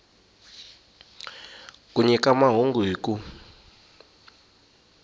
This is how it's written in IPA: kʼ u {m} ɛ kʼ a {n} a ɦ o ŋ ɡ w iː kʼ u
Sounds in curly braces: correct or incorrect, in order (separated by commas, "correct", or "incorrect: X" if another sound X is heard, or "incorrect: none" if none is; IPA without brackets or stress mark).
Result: incorrect: ɲ, incorrect: m